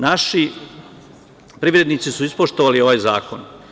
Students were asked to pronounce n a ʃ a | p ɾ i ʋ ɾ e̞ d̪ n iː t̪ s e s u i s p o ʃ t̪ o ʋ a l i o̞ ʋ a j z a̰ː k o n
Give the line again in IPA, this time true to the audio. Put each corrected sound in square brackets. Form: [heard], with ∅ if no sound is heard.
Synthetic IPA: n a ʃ [i] | p ɾ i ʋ ɾ e̞ d̪ n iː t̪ s [i] s u i s p o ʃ t̪ o ʋ a l i o̞ ʋ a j z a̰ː k o n